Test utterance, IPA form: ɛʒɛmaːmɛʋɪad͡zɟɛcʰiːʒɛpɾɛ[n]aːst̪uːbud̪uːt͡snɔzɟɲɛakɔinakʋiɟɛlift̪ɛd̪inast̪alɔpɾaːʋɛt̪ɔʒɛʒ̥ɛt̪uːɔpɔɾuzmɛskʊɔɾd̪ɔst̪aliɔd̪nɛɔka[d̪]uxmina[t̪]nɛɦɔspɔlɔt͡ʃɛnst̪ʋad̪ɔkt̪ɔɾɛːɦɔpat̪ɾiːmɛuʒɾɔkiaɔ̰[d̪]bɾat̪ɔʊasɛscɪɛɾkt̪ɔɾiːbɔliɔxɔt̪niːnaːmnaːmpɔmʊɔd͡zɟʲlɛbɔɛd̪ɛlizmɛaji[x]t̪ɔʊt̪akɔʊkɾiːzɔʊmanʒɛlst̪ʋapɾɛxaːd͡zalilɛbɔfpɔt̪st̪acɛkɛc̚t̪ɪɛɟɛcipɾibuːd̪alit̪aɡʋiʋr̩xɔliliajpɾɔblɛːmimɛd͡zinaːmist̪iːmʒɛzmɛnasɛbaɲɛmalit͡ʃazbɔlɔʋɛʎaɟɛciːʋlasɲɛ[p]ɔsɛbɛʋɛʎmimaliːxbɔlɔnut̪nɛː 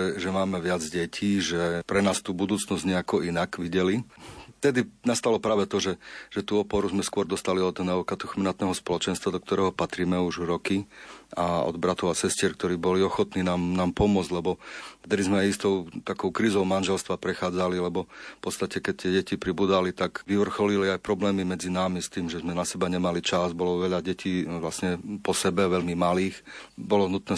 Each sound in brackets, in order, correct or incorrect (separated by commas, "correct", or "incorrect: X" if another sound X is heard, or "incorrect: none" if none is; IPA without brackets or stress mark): correct, incorrect: t̪, correct, correct, incorrect: s, correct